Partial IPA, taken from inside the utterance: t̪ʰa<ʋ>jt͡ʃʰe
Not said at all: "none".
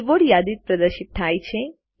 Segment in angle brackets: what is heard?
none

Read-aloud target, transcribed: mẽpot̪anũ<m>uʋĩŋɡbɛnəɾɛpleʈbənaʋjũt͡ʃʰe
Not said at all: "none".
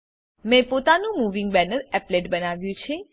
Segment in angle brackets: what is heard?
m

